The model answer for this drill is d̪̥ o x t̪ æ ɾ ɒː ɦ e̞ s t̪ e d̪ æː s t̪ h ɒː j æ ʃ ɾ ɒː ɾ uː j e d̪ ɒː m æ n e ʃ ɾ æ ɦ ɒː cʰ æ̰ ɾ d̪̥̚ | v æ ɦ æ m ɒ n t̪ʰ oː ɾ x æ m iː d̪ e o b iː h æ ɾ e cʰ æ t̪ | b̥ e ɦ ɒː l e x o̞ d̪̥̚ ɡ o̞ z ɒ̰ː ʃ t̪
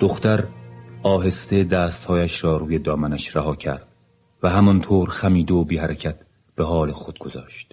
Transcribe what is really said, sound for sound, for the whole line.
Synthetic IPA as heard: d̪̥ o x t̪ æ ɾ ɒː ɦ e̞ s t̪ e d̪ æː s t̪ h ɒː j æ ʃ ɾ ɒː ɾ uː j e d̪ ɒː m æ n æ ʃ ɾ æ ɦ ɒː cʰ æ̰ ɾ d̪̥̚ | v æ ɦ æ m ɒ n t̪ʰ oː ɾ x æ m iː d̪ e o b iː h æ ɾ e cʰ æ t̪ | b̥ e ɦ ɒː l e x o̞ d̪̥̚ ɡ o̞ z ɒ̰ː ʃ t̪